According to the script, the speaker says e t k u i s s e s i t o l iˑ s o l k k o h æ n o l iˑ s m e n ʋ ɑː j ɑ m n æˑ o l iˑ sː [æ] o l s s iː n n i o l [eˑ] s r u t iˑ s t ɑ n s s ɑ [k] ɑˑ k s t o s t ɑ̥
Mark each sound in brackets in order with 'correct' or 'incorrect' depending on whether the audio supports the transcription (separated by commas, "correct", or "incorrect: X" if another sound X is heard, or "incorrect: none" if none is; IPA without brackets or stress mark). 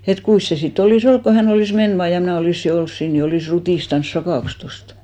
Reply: incorrect: i, incorrect: iˑ, correct